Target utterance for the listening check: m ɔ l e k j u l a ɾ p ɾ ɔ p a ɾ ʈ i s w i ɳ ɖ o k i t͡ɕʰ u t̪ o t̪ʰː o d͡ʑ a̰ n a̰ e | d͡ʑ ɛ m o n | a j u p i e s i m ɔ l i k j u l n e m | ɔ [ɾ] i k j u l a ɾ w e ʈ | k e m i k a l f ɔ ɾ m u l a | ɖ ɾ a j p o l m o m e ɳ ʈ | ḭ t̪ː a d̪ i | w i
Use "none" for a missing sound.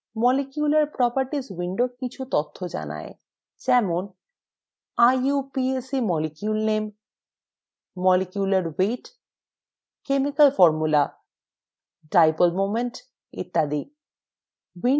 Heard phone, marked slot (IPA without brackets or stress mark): l